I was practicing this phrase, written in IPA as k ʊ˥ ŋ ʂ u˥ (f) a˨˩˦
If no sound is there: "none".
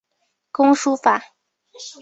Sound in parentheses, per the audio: f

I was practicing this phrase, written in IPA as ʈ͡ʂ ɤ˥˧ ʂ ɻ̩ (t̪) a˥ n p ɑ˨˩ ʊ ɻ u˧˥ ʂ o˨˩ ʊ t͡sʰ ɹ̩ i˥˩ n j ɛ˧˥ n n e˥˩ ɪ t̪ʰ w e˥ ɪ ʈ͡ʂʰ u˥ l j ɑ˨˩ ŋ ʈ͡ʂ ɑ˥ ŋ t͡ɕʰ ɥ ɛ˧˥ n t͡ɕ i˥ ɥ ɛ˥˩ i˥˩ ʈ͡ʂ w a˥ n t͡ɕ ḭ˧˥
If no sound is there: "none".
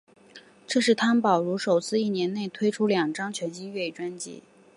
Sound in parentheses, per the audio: t̪ʰ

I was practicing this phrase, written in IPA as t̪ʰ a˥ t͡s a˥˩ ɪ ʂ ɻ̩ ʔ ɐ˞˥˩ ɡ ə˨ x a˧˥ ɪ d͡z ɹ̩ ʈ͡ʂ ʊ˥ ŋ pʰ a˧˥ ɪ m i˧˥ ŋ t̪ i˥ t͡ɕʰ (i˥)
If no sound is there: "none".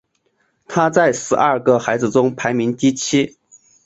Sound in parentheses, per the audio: i˥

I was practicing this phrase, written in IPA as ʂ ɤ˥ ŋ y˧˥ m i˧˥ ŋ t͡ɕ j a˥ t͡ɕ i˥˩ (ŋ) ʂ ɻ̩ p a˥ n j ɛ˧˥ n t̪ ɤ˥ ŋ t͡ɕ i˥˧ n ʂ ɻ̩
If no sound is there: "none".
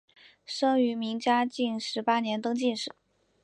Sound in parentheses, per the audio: n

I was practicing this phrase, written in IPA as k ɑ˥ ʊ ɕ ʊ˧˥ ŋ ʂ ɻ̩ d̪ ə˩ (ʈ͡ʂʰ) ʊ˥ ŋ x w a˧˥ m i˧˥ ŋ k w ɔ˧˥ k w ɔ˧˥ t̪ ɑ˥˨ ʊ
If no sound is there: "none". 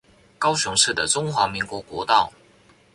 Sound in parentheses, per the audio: ʈ͡ʂ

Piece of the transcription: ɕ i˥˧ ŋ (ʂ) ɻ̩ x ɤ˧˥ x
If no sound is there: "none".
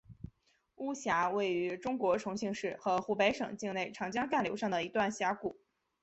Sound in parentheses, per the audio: ʂ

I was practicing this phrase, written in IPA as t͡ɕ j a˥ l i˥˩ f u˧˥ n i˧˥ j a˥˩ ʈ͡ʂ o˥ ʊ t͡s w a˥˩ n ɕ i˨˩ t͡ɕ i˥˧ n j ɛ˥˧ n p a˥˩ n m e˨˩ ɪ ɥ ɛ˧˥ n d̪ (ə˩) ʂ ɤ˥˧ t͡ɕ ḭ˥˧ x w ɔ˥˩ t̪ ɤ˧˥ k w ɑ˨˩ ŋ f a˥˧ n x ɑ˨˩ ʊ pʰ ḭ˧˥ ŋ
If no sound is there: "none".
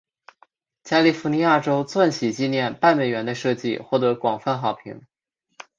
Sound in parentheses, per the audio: ə˧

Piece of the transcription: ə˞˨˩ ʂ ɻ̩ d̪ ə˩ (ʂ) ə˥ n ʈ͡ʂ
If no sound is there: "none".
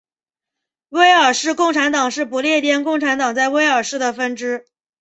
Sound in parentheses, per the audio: f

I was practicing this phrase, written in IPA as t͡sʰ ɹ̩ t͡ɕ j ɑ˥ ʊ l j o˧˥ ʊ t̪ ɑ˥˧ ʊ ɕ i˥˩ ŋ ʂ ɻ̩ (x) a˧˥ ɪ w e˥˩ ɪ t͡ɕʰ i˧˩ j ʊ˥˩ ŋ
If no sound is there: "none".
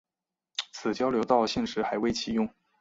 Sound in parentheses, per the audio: x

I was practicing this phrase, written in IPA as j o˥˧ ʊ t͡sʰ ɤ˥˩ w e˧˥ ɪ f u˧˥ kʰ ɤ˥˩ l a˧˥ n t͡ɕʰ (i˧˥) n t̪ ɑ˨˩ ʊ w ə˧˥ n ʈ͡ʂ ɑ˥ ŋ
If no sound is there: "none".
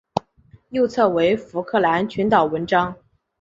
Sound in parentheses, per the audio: y˧˥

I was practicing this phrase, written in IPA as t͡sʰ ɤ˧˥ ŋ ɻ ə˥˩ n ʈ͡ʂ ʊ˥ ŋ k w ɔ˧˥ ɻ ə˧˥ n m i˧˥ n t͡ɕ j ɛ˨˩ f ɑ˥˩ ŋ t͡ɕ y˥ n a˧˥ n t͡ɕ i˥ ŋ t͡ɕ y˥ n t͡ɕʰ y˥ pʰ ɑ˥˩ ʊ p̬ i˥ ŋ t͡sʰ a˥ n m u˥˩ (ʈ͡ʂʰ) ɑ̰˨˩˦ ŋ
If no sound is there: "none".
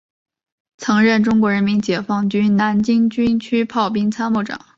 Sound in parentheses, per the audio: ʈ͡ʂ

